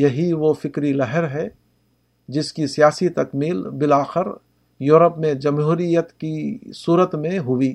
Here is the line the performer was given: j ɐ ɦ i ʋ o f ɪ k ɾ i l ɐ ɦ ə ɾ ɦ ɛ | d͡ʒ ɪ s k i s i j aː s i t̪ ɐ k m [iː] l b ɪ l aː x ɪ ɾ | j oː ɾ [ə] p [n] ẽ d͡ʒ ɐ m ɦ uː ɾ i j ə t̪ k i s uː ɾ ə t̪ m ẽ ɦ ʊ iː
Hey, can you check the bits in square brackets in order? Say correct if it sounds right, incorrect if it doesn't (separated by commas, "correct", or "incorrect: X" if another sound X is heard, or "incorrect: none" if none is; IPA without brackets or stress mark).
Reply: correct, correct, incorrect: m